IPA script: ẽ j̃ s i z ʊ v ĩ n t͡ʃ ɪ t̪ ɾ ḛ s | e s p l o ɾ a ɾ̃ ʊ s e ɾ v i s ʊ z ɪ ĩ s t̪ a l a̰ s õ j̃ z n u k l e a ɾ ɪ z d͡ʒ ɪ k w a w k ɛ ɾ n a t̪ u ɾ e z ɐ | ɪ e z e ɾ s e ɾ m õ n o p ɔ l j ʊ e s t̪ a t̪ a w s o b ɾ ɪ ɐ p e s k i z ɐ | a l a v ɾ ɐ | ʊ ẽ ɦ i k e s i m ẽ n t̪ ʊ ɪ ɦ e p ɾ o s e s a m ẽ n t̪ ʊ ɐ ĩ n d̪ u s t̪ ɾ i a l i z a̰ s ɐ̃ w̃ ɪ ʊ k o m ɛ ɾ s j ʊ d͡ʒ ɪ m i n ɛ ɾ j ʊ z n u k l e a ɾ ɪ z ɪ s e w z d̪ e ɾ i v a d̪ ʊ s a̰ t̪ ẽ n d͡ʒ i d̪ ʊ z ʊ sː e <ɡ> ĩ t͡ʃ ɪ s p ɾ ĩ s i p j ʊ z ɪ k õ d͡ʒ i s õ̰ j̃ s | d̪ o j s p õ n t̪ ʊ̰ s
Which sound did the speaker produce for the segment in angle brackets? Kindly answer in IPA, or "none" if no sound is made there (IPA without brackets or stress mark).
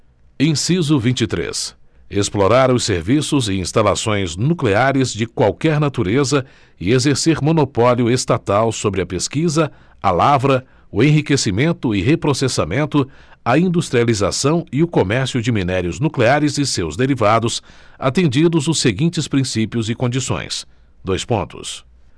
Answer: ɡ